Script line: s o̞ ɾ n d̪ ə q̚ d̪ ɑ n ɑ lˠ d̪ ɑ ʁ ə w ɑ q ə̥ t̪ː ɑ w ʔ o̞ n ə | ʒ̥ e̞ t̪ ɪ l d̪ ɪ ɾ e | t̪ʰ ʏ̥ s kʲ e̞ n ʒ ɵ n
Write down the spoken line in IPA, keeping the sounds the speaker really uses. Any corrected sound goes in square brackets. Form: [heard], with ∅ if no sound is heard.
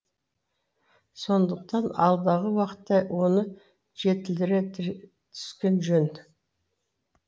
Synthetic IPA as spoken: s o̞ [∅] n d̪ ə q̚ [t̪] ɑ n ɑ lˠ d̪ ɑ ʁ ə w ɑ q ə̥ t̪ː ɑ w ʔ o̞ n ə | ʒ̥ e̞ t̪ ɪ l d̪ ɪ ɾ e | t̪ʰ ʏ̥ s kʲ e̞ n ʒ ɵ n